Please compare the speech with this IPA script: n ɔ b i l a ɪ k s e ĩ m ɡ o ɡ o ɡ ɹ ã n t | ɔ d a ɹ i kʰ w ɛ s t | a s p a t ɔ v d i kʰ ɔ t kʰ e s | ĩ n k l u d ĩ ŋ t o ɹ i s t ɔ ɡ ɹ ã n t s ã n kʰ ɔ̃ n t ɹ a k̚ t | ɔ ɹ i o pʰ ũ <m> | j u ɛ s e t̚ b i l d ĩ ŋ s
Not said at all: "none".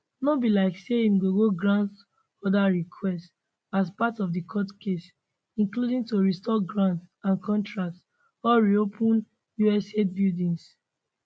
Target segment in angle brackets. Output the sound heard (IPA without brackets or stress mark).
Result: n